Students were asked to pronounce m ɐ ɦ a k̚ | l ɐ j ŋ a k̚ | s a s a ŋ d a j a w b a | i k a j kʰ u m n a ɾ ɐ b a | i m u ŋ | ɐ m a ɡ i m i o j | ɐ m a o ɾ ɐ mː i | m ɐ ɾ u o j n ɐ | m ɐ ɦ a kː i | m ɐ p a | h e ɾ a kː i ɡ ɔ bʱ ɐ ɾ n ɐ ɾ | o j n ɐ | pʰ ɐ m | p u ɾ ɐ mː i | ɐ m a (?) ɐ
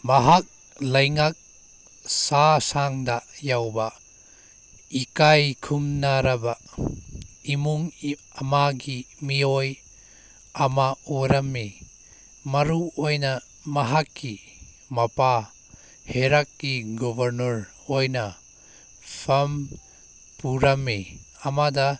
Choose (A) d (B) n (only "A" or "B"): A